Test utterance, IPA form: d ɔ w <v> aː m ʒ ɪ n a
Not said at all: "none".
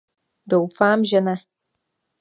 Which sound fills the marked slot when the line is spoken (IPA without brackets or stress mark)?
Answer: f